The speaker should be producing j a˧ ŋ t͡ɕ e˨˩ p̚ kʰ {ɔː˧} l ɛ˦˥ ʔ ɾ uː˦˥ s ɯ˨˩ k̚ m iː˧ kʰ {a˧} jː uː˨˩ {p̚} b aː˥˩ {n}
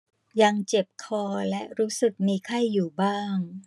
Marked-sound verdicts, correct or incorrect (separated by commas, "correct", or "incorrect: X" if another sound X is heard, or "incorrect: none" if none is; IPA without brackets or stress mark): correct, incorrect: a˥˩, incorrect: none, incorrect: ŋ